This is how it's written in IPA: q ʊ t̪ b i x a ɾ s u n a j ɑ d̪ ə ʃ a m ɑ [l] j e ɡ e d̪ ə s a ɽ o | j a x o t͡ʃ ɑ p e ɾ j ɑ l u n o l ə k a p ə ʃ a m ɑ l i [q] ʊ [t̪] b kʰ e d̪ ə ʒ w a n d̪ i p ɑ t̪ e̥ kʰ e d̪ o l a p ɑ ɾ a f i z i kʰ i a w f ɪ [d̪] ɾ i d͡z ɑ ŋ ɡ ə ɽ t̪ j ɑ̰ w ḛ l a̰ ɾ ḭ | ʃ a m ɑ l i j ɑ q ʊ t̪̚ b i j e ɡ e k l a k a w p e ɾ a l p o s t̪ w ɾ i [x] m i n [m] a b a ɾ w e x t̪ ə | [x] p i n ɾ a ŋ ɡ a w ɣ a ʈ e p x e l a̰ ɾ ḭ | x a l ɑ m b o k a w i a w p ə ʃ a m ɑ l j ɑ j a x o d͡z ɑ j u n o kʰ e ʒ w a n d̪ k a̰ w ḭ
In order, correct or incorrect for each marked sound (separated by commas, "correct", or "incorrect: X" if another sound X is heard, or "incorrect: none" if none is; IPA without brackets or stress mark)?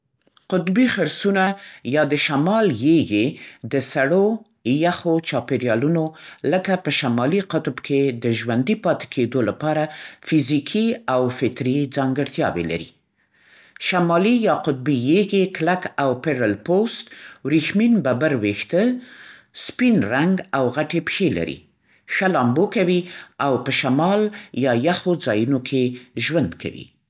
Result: correct, correct, correct, incorrect: t̪, correct, incorrect: b, incorrect: s